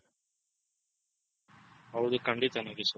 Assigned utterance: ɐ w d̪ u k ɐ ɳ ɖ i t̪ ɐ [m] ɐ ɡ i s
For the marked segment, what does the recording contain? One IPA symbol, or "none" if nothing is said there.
n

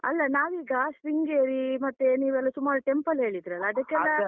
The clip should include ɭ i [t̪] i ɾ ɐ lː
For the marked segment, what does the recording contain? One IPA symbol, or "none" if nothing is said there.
d̪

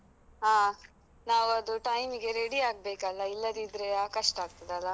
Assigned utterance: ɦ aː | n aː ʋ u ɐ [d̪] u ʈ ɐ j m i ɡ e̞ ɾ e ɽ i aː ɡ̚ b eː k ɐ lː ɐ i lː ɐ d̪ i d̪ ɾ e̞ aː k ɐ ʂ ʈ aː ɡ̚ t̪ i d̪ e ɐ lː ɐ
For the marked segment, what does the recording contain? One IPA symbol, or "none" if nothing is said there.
d̪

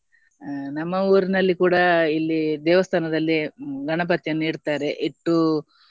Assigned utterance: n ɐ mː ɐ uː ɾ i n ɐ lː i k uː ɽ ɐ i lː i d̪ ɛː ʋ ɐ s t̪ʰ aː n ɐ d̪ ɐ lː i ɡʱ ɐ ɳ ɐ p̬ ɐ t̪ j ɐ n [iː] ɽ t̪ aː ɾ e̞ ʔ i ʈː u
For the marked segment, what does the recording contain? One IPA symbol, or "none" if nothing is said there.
iː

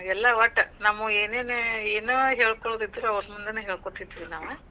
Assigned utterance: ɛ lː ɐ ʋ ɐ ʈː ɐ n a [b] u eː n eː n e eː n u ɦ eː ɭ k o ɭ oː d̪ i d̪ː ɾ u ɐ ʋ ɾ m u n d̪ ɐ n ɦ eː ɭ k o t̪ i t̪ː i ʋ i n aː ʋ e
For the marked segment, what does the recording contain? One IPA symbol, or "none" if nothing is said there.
m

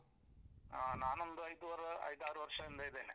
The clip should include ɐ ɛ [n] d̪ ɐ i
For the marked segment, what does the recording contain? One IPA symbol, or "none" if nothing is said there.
n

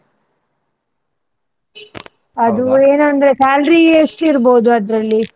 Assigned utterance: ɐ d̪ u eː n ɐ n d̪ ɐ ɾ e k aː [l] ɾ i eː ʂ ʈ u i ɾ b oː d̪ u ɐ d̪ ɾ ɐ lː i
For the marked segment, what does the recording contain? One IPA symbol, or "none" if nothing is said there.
l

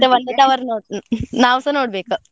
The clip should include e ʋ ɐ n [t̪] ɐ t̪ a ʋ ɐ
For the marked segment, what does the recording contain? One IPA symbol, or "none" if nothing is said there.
d̪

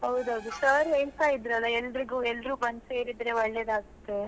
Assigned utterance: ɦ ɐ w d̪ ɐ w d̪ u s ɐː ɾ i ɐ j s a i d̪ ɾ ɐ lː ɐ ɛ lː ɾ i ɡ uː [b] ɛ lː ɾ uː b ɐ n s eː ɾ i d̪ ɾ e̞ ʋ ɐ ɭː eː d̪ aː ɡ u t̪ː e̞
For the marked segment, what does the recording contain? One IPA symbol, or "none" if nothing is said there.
none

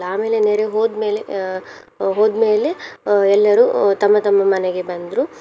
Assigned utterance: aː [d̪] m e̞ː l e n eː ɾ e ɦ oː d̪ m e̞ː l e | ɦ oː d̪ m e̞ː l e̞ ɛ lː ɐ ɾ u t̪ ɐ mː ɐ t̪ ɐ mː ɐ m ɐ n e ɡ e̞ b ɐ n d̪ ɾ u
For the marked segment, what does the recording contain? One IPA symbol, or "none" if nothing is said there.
none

